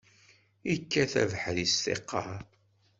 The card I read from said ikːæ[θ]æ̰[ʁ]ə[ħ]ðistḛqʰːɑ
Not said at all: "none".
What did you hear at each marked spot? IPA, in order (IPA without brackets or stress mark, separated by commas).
θ, v, ħ